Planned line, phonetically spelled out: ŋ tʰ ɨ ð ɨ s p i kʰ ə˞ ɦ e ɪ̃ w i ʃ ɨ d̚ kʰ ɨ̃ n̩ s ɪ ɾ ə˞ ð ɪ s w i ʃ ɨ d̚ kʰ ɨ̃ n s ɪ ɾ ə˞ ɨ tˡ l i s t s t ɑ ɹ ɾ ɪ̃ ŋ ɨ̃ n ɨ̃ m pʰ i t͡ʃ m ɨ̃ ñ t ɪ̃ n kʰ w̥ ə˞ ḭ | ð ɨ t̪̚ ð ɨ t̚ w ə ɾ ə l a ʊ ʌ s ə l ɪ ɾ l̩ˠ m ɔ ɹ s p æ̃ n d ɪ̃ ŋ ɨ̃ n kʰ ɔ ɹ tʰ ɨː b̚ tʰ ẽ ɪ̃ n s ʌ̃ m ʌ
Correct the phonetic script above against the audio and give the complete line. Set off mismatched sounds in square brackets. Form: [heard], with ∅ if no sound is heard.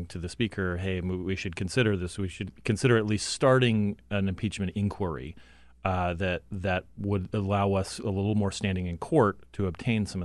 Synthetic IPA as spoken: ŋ tʰ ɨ ð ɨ s p i kʰ ə˞ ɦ e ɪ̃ w i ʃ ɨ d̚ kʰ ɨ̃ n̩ s ɪ ɾ ə˞ ð ɪ s w i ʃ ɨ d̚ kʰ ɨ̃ n s ɪ ɾ ə˞ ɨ tˡ l i s t s t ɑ ɹ ɾ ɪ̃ ŋ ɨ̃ n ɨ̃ m pʰ i t͡ʃ m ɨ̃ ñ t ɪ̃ n kʰ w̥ ə˞ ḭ | ð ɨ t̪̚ ð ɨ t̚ w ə ɾ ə l a ʊ ʌ s ə l ɪ ɾ l̩ˠ m ɔ ɹ s [t] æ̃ n d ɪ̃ ŋ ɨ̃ n kʰ ɔ ɹ tʰ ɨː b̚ tʰ ẽ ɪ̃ n s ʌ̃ m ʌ